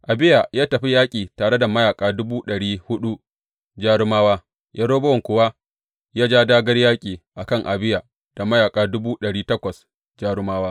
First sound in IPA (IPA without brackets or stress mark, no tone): ʔ